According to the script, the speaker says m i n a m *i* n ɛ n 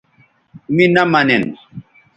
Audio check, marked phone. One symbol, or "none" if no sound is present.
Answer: a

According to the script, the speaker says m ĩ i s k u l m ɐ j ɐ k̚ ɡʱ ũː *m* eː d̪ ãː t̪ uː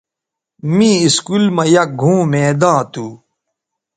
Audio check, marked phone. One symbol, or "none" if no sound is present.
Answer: m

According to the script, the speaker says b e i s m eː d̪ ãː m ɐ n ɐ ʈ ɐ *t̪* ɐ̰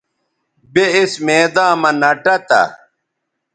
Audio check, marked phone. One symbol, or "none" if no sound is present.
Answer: t̪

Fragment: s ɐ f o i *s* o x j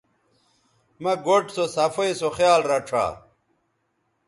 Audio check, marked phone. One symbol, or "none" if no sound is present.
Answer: s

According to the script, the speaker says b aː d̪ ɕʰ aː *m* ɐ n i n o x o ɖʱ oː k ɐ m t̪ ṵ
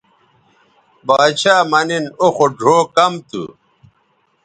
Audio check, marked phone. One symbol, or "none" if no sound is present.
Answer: m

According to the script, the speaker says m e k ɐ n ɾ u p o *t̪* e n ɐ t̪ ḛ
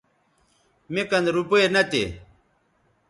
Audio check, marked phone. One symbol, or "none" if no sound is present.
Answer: none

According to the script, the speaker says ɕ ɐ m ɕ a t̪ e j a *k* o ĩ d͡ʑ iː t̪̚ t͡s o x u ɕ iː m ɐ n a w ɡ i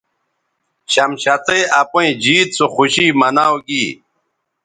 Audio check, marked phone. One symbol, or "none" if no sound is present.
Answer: p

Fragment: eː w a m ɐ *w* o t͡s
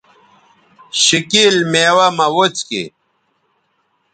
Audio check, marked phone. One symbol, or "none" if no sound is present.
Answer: w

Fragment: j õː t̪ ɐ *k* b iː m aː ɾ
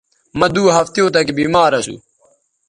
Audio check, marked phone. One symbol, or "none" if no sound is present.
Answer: k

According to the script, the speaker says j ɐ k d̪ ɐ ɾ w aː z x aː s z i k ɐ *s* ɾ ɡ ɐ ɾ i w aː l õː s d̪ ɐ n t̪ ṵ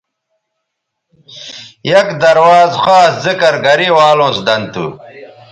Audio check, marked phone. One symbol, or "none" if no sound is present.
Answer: none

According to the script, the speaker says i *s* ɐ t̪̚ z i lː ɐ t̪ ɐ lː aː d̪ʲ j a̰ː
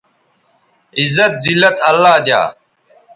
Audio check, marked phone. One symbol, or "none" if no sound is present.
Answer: z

